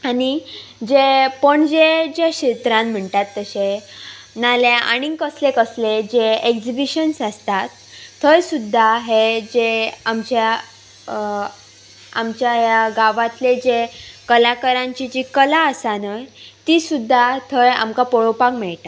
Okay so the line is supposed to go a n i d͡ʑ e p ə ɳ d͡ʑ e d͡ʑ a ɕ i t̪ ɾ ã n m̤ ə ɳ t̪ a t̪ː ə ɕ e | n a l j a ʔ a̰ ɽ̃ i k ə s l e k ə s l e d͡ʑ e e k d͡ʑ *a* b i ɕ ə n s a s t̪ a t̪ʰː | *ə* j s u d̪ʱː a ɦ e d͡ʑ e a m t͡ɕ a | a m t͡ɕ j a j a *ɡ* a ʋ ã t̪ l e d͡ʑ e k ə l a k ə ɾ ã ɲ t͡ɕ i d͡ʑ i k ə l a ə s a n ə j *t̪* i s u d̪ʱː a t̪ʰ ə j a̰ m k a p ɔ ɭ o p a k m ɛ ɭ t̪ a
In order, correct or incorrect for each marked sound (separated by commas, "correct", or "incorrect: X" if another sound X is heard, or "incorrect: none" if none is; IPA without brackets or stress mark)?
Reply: incorrect: i, correct, correct, correct